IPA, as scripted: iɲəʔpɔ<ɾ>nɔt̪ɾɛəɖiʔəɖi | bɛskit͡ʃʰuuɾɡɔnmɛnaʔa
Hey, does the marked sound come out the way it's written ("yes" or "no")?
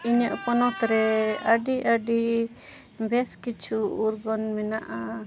no